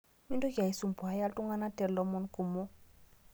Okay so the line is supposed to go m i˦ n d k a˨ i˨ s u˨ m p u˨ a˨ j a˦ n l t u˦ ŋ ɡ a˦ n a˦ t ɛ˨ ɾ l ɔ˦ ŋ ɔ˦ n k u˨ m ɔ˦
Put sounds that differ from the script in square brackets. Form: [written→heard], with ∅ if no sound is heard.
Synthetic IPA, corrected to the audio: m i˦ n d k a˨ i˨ s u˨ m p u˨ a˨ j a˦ [n→∅] l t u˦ ŋ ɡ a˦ n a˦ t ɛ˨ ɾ l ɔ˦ [ŋ→m] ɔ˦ n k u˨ m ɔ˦